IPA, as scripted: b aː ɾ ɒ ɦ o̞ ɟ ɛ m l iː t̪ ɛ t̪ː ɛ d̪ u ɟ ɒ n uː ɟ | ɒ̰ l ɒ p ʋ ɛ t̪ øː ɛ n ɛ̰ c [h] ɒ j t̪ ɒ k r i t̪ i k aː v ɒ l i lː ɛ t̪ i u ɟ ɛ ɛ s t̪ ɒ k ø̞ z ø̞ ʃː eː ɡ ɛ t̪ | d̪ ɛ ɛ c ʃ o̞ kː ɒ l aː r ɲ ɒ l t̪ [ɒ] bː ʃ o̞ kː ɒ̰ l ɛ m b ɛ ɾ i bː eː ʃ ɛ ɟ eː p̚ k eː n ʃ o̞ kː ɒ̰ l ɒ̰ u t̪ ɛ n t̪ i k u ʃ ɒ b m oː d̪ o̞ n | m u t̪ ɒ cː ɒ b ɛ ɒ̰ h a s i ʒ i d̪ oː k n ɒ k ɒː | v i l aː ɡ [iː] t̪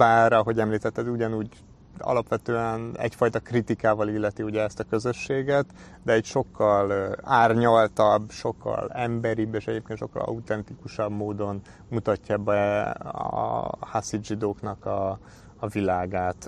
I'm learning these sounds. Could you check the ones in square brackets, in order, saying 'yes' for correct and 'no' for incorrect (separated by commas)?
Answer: no, yes, no